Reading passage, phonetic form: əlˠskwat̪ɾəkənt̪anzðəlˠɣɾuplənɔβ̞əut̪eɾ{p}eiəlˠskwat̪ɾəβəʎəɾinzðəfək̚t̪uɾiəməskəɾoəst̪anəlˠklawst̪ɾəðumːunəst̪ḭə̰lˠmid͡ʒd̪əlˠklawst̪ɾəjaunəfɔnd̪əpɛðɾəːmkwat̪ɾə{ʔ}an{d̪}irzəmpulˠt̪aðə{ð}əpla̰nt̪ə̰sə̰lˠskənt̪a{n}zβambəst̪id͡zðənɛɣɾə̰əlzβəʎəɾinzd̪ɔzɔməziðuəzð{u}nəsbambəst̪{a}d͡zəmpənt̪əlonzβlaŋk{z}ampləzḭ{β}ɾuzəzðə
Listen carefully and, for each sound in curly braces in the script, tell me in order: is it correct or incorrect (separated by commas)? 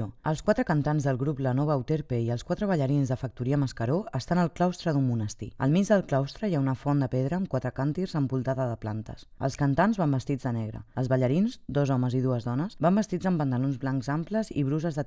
correct, incorrect, incorrect, correct, correct, incorrect, incorrect, correct, correct